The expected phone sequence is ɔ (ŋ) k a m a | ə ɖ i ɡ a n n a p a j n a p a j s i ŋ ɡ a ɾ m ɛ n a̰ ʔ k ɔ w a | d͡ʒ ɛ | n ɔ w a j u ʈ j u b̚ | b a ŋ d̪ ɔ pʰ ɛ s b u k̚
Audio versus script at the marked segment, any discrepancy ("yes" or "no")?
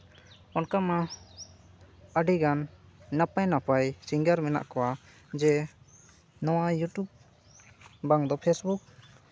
yes